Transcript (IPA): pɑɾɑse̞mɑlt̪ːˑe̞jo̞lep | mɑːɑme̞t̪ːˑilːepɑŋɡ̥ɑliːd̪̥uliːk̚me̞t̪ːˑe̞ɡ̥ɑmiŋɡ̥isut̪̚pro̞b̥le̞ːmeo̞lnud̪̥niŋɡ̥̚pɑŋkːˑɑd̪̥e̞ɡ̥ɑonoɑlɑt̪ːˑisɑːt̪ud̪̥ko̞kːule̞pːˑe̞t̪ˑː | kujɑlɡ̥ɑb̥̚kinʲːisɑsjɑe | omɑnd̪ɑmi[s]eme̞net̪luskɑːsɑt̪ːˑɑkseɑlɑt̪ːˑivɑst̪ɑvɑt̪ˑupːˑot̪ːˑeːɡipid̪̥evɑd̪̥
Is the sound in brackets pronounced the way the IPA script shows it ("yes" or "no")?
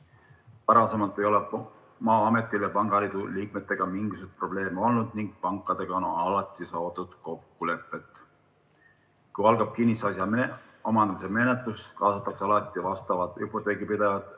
yes